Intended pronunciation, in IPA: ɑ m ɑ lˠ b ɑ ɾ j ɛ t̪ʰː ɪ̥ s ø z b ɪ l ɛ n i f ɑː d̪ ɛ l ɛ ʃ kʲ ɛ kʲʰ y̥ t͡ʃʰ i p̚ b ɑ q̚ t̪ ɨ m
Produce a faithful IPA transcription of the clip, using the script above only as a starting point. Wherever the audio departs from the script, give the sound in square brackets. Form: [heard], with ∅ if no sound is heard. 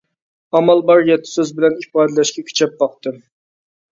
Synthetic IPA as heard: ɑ m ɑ lˠ b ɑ ɾ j ɛ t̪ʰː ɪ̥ s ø z b ɪ l ɛ n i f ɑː d̪ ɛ l ɛ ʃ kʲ ɛ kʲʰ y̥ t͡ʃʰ [ɛ] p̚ b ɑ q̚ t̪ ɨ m